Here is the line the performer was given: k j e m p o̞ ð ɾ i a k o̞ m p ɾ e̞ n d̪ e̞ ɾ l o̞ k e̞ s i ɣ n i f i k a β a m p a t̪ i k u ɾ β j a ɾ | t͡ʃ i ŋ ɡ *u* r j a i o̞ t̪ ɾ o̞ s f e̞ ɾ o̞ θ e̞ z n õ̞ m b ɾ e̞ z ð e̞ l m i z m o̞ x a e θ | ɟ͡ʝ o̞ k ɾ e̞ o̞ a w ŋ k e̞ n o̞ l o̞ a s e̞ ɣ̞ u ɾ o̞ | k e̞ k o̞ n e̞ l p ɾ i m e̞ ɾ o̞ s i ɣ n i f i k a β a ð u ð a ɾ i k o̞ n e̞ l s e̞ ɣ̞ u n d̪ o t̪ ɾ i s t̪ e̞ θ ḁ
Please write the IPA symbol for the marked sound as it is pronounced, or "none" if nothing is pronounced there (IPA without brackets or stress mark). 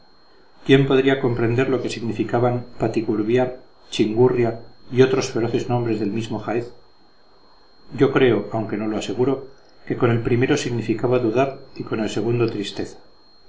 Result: u